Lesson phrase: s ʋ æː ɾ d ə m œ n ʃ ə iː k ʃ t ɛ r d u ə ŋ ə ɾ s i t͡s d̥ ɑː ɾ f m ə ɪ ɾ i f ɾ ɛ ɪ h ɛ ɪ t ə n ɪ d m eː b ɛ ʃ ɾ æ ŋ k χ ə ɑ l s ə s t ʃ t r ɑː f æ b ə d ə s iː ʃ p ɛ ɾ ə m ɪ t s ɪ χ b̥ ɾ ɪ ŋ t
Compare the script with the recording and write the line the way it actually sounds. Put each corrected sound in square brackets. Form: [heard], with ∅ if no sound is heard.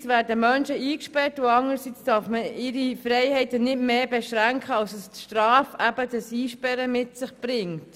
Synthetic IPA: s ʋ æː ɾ d ə m œ n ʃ ə iː k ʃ [p] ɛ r [t] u [ɑ] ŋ ə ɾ s i t͡s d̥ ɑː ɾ f m ə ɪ ɾ i f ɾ ɛ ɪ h ɛ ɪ t ə n ɪ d m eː b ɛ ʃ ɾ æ ŋ k χ ə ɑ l s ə s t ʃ t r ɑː f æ b ə d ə s iː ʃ p ɛ ɾ ə m ɪ t s ɪ χ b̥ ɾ ɪ ŋ t

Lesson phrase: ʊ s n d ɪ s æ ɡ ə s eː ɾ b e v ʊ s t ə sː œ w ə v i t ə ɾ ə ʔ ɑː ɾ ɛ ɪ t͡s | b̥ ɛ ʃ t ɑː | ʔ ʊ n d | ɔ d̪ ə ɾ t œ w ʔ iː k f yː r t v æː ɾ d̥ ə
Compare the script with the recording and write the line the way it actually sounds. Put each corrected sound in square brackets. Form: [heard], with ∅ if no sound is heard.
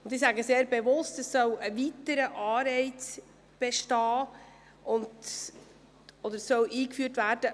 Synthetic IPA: ʊ [∅] n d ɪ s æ ɡ ə s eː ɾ b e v ʊ s t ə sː œ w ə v i t ə ɾ ə ʔ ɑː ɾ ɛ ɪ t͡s | b̥ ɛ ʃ t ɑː | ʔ ʊ n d | ɔ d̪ ə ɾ [s] œ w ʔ iː k f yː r t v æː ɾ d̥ ə

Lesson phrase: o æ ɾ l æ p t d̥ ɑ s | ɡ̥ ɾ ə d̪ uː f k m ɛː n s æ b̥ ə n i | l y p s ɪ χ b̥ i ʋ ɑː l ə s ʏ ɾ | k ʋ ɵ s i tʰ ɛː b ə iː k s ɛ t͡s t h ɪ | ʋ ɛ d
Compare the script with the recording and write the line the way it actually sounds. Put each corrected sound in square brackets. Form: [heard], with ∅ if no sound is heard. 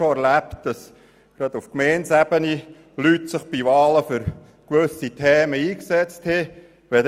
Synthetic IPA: o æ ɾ l æ p t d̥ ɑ s | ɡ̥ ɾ [ɑ] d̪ [u] f k m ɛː n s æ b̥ ə n i | l y [t] s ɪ χ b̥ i ʋ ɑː l ə [f] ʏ ɾ | k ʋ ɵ s i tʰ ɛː [m] ə iː k s ɛ t͡s t h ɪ | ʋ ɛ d

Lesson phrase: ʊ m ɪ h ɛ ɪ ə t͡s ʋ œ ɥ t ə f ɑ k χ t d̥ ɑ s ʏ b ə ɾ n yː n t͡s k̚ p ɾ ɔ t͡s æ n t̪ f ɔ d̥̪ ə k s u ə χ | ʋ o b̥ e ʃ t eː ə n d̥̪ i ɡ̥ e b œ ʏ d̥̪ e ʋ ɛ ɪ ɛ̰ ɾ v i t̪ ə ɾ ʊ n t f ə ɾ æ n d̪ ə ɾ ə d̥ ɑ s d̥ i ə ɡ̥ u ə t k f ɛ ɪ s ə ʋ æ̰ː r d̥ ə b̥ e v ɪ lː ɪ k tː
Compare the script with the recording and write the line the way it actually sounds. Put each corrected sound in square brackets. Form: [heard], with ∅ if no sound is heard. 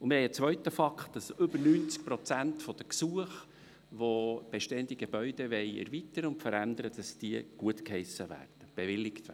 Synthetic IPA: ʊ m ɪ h ɛ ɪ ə t͡s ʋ œ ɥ t ə f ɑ k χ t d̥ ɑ s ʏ b ə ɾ n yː n t͡s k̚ p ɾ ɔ t͡s æ n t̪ f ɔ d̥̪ ə k s u ə χ | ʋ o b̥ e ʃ t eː ə n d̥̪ i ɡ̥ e b œ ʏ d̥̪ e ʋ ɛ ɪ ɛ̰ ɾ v i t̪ ə ɾ ʊ n t f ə ɾ æ n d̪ ə ɾ ə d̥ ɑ s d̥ i ə ɡ̥ u ə t k [h] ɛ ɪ s ə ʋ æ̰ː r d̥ ə b̥ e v ɪ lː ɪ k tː

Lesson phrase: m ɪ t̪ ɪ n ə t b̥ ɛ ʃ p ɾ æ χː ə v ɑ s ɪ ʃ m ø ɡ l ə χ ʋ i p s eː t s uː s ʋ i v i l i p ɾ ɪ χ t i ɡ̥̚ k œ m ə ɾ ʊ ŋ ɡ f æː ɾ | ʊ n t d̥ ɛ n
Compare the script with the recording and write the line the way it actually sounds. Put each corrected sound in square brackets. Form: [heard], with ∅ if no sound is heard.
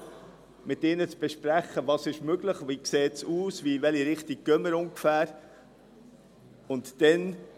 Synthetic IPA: m ɪ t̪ ɪ n ə [t͡s] b̥ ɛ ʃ p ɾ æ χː ə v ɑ s ɪ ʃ m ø ɡ l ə χ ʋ i [k] s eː t s uː s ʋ i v [ɛ] l i [∅] ɾ ɪ χ t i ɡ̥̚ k œ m ə ɾ ʊ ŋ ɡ f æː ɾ | ʊ n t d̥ ɛ n

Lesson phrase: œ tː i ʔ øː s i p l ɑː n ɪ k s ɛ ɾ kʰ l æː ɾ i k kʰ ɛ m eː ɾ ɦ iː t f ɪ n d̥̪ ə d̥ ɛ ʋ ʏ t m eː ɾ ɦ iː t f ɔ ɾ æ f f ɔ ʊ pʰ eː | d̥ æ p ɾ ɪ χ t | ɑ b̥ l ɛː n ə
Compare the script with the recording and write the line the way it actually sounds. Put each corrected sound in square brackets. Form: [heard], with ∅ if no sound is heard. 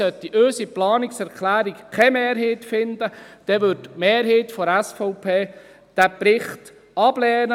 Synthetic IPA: œ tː i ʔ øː s i p l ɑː n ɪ k s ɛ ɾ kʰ l æː ɾ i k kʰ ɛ m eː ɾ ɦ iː t f ɪ n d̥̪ ə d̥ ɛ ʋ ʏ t m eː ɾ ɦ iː t f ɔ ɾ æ [s] f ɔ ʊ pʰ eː | d̥ æ p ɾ ɪ χ t | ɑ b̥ l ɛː n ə

